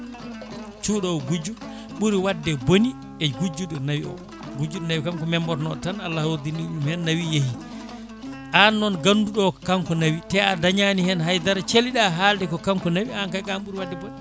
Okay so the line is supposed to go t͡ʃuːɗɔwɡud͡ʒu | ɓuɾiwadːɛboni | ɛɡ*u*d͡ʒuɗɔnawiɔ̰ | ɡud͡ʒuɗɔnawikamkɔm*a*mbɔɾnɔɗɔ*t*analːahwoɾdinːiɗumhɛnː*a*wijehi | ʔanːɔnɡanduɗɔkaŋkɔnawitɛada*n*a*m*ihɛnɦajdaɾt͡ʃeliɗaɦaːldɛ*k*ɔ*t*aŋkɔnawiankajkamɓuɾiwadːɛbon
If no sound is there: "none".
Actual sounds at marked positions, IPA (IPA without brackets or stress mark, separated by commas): u, ɛ, t, a, ɲ, n, k, k